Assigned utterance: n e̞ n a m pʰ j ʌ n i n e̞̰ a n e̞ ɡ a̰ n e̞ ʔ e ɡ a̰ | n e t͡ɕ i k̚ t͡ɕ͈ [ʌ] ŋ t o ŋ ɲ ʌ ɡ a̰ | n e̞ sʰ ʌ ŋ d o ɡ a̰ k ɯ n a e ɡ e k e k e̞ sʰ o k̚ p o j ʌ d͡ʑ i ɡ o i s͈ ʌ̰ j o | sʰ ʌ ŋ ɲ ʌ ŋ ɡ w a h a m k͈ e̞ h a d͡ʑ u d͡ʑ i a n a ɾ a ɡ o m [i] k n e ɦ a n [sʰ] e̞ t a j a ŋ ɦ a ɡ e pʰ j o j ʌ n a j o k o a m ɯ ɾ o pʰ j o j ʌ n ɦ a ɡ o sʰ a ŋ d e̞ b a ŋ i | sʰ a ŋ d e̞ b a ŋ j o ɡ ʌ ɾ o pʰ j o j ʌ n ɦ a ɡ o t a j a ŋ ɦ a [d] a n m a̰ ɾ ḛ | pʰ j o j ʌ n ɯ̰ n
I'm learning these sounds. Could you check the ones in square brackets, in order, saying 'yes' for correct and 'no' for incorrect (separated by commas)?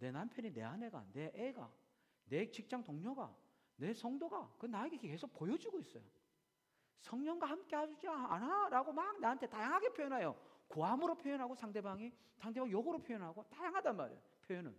no, no, no, yes